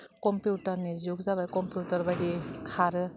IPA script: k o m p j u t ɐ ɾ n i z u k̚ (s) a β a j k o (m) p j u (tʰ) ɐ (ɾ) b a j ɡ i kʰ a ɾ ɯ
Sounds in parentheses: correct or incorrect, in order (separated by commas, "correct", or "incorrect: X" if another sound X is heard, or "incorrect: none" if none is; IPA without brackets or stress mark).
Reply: incorrect: z, correct, incorrect: t, correct